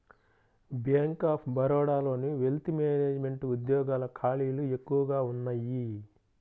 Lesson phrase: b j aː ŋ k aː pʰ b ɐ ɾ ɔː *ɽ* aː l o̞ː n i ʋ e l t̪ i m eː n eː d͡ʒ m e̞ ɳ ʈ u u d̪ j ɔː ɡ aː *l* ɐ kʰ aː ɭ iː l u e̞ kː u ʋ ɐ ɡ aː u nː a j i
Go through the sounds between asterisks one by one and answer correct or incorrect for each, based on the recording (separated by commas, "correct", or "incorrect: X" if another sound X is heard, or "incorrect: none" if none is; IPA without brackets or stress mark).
correct, correct